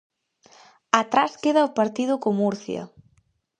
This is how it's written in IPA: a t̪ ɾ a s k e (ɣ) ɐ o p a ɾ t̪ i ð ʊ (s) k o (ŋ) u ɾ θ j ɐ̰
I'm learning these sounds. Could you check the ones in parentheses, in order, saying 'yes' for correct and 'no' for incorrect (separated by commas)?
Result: no, no, no